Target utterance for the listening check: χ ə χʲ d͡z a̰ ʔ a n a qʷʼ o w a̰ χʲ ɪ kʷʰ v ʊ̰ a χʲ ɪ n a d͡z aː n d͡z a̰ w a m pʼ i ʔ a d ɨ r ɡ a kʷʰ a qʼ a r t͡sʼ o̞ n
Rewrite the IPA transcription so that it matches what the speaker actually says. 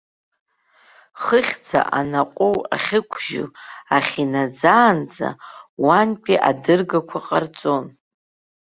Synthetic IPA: χ ə χʲ d͡z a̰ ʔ a n a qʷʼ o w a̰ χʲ ɪ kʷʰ ʒ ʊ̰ a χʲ i n a d͡z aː n d͡z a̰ w a n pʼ i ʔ a d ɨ r ɡ a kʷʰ a qʼ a r t͡sʼ o̞ n